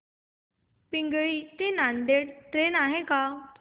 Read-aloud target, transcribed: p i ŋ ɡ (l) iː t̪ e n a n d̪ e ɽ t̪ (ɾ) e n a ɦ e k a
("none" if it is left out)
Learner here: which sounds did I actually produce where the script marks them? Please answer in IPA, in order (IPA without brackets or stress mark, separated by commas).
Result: ɭ, ɾ